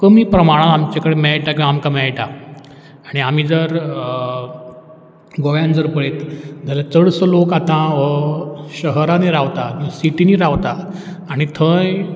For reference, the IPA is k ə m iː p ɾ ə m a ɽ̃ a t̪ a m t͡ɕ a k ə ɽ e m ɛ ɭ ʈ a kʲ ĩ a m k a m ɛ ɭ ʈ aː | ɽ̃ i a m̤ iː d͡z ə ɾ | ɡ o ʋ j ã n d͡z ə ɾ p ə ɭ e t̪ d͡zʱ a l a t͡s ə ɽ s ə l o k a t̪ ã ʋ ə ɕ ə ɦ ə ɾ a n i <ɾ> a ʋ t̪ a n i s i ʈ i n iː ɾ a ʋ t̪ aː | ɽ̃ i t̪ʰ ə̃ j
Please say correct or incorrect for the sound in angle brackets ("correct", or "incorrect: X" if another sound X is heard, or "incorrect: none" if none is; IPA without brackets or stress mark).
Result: correct